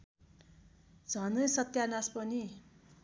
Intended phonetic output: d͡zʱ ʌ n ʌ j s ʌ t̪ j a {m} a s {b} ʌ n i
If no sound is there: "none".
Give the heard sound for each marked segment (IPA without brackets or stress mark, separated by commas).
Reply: n, p